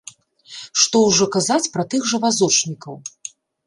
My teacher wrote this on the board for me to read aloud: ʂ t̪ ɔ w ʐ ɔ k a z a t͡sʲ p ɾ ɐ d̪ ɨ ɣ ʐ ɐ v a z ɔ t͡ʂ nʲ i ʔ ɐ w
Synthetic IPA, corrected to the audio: ʂ t̪ ɔ w ʐ ɔ k a z a t͡sʲ p ɾ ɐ t̪ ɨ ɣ ʐ ɐ v a z ɔ t͡ʂ nʲ i k ɐ w